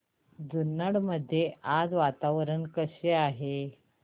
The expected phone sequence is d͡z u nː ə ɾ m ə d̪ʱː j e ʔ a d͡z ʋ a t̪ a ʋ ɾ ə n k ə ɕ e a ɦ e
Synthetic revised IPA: d͡z u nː ə ɽ m ə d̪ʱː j e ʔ a d͡z ʋ a t̪ a ʋ ɾ ə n k ə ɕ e a ɦ e